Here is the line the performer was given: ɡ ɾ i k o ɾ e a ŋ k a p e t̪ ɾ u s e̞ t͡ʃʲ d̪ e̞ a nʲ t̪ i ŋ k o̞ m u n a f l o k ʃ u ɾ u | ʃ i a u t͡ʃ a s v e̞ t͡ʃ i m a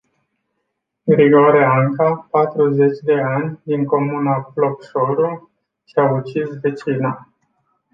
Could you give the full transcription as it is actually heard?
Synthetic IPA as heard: ɡ ɾ i ɡ o ɾ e a ŋ k a p a t̪ ɾ u z e̞ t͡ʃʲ d̪ e̞ a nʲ d̪ i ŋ k o̞ m u n a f l o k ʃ o ɾ u | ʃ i a u t͡ʃ i s v e̞ t͡ʃ i n a